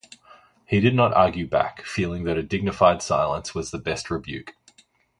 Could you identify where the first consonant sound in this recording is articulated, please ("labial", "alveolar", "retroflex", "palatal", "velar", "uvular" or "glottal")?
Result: glottal